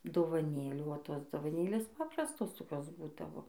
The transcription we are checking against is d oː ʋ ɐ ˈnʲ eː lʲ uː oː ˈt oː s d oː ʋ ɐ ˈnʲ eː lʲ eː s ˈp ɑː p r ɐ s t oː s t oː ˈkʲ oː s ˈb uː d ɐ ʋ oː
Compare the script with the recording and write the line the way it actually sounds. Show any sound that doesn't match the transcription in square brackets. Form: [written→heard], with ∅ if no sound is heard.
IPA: d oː ʋ ɐ ˈnʲ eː lʲ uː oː ˈt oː s d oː ʋ ɐ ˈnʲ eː lʲ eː s ˈp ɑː p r ɐ s t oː s t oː ˈkʲ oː s ˈb uː d ɐ ʋ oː

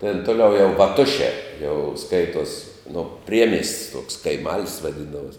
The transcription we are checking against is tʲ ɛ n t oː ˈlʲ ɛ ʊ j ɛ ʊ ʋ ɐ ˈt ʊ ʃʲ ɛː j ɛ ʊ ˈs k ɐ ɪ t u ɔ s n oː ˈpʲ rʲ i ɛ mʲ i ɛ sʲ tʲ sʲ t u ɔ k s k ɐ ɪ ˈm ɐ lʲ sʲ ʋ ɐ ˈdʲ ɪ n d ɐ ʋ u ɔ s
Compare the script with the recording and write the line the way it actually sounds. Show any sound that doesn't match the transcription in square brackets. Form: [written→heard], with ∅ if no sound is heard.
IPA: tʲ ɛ n t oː ˈlʲ ɛ ʊ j ɛ ʊ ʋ ɐ ˈt ʊ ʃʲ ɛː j ɛ ʊ ˈs k ɐ ɪ t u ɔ s n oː ˈpʲ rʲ i ɛ mʲ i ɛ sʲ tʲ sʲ t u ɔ k s k ɐ ɪ ˈm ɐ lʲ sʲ ʋ ɐ ˈdʲ ɪ n d ɐ ʋ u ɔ s

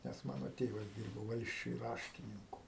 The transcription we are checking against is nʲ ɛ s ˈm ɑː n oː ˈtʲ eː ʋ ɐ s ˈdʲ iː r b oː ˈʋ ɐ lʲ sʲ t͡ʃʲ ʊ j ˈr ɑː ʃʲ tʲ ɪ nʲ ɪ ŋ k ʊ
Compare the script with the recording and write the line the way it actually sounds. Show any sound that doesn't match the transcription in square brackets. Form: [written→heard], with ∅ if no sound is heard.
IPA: nʲ ɛ s ˈm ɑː n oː ˈtʲ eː ʋ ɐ s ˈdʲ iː r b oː ˈʋ ɐ lʲ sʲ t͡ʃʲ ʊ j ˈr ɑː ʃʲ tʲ ɪ nʲ ɪ ŋ k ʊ

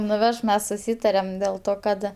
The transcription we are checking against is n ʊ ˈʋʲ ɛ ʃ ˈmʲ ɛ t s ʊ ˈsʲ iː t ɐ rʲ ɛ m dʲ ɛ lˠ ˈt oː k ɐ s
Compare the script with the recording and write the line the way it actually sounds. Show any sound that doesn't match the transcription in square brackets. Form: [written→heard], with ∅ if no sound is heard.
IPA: n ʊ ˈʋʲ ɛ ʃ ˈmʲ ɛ [t→s] s ʊ ˈsʲ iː t ɐ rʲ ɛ m dʲ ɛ lˠ ˈt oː k ɐ [s→t]

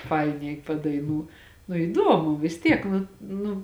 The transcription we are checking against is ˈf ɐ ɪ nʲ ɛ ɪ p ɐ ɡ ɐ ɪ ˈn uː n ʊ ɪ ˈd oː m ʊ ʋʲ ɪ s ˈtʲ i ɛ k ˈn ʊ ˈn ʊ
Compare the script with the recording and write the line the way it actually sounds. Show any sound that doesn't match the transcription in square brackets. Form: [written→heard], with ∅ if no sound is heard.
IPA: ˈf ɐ ɪ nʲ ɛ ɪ p ɐ [ɡ→d] ɐ ɪ ˈn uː n ʊ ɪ ˈd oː m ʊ ʋʲ ɪ s ˈtʲ i ɛ k ˈn ʊ ˈn ʊ

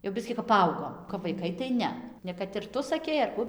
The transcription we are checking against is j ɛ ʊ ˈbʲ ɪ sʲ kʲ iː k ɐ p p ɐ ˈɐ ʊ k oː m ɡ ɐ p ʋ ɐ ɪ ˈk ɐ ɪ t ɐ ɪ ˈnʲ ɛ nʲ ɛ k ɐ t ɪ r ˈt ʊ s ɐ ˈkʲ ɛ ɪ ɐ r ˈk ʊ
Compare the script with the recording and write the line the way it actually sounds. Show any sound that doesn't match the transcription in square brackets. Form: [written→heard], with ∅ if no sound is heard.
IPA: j ɛ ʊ ˈbʲ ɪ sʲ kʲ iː k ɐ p p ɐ ˈɐ ʊ [k→ɡ] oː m [ɡ→k] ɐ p ʋ ɐ ɪ ˈk ɐ ɪ t ɐ ɪ ˈnʲ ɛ nʲ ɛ k ɐ t ɪ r ˈt ʊ s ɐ ˈkʲ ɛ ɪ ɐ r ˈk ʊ

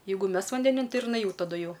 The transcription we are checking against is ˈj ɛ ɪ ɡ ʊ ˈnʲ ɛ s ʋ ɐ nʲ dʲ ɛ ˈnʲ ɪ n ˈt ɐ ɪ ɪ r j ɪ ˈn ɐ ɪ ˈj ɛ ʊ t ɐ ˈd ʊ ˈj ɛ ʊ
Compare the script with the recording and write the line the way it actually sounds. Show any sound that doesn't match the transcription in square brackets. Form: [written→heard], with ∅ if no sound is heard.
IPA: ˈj ɛ ɪ ɡ ʊ [ˈnʲ→ˈmʲ] ɛ s ʋ ɐ nʲ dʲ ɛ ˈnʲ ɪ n ˈt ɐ ɪ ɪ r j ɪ ˈn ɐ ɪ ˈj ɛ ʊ t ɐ ˈd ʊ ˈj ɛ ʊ

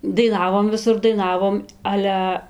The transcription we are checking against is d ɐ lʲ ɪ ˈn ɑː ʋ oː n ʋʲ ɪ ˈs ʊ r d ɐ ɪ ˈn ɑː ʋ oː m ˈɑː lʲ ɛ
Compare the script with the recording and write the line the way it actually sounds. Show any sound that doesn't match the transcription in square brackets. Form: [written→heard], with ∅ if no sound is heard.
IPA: d ɐ [lʲ→∅] ɪ ˈn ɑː ʋ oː [n→m] ʋʲ ɪ ˈs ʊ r d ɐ ɪ ˈn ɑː ʋ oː m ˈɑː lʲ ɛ

